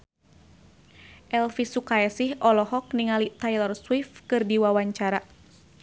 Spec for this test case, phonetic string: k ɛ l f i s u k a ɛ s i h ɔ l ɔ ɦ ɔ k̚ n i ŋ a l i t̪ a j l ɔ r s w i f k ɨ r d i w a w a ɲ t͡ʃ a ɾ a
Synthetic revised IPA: ʔ ɛ l f i s u k a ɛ s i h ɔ l ɔ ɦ ɔ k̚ n i ŋ a l i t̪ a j l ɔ r s w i f k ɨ r d i w a w a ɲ t͡ʃ a ɾ a